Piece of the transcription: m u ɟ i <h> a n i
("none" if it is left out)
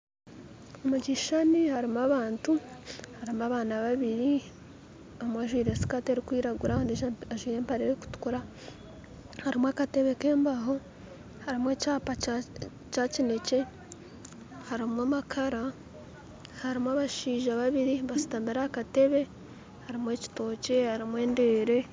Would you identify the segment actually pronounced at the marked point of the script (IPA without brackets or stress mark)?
ʃ